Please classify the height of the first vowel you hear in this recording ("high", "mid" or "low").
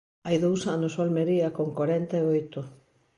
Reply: low